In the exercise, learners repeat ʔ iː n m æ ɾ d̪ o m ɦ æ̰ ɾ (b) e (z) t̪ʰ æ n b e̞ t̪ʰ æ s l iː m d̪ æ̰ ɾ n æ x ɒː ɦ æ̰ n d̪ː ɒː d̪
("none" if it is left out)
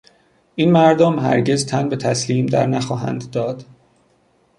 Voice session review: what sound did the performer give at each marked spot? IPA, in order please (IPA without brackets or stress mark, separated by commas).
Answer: ɟ, z